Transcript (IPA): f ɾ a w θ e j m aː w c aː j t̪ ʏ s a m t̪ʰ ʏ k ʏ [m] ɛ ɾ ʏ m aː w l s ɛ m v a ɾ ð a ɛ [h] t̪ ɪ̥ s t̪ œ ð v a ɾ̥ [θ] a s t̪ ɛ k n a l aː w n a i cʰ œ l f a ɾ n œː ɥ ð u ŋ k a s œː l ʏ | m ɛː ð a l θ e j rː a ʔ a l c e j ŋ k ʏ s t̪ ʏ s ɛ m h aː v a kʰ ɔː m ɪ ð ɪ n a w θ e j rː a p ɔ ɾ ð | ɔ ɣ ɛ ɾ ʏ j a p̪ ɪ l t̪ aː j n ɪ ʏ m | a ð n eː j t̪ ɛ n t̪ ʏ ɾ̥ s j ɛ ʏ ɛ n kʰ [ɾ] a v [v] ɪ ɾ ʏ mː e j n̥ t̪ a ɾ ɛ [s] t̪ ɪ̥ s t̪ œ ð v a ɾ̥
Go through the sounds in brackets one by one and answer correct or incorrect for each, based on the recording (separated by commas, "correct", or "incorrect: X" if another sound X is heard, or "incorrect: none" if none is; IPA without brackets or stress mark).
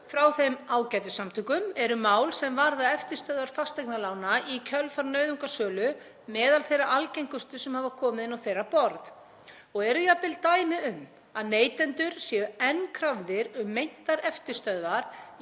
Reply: correct, incorrect: f, incorrect: f, correct, incorrect: ð, incorrect: f